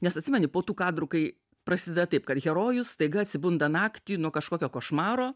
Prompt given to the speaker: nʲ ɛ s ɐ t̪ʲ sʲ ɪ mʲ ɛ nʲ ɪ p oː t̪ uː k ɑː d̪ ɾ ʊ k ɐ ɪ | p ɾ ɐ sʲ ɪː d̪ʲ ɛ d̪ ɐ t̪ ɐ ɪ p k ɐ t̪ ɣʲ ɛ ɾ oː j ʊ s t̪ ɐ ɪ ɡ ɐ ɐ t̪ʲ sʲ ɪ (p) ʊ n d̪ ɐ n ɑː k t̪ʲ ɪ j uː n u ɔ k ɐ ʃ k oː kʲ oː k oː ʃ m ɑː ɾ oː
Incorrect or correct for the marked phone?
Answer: incorrect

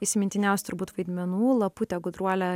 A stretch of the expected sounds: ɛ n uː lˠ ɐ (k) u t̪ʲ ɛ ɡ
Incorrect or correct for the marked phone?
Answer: incorrect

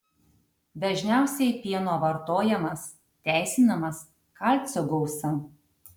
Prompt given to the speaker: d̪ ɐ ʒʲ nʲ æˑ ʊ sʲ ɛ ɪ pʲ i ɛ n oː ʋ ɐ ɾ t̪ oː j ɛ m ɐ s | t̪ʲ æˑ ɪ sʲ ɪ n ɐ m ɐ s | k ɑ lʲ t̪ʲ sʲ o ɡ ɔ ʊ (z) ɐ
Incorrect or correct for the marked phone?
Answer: incorrect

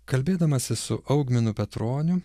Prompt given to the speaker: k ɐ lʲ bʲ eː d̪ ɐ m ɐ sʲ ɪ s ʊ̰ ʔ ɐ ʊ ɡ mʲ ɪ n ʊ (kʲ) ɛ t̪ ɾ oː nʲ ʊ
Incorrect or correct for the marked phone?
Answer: incorrect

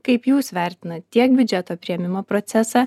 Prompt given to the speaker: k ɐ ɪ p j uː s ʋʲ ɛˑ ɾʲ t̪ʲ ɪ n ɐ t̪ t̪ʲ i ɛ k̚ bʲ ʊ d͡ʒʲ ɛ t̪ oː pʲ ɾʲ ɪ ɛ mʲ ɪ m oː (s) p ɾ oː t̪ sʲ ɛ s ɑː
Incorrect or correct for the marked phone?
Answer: incorrect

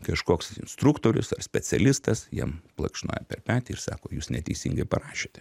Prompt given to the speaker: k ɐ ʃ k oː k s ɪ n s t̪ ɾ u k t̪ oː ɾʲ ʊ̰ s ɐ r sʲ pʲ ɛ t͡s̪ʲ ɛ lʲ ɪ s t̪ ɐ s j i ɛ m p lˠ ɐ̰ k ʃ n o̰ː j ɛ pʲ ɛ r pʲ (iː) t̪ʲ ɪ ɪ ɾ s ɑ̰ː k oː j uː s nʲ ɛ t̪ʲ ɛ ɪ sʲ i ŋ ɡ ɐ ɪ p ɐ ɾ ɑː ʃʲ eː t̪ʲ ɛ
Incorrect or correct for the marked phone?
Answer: incorrect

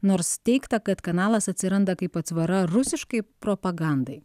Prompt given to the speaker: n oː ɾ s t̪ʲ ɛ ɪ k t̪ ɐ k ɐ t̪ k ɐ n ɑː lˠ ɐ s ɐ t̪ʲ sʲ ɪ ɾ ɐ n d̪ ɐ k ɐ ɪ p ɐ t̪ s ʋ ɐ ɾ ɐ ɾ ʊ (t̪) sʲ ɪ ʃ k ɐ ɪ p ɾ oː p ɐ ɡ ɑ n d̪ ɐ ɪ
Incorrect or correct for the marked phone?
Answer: incorrect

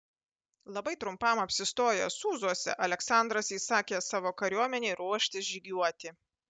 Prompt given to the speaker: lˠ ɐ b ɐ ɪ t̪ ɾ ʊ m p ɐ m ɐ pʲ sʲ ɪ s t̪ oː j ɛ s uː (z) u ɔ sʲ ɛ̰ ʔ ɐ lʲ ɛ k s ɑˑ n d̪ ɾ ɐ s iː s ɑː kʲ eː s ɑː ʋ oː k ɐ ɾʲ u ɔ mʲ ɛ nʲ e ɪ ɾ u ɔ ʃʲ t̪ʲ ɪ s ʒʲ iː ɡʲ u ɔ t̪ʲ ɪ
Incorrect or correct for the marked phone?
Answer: correct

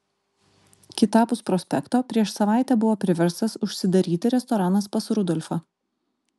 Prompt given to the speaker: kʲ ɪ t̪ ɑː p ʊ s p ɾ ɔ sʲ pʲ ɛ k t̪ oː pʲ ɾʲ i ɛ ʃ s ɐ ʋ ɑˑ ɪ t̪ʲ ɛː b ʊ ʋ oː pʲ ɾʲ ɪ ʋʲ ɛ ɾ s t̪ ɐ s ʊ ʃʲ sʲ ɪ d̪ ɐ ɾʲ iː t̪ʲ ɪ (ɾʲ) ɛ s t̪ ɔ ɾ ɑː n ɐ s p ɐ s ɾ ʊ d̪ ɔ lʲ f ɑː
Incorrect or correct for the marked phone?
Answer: correct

